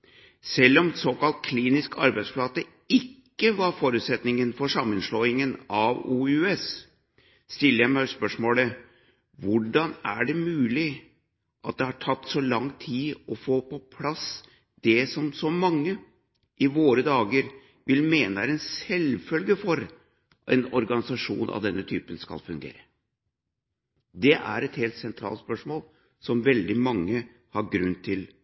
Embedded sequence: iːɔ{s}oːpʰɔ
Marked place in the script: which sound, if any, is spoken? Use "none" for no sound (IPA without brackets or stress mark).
f